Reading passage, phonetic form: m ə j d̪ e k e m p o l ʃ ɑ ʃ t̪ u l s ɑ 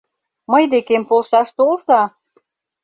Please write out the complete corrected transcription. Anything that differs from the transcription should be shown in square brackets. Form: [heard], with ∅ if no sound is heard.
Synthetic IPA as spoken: m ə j d̪ e k e m p o l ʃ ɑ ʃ t̪ [o] l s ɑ